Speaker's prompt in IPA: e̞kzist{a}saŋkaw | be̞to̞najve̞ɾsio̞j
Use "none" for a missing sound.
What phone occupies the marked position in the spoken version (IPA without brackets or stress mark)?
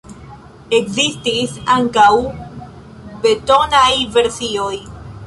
i